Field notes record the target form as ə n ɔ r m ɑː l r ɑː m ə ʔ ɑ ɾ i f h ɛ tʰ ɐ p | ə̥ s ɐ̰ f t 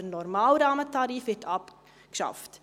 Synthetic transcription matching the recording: ə n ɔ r m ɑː l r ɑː m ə t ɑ ɾ i f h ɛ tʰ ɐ p | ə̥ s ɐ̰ f t